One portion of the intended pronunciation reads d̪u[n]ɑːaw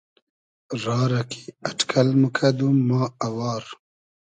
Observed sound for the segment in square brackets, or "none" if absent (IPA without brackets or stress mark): m